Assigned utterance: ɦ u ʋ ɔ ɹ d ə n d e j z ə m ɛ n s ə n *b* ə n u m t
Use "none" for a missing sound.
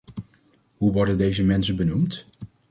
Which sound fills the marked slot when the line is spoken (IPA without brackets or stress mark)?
b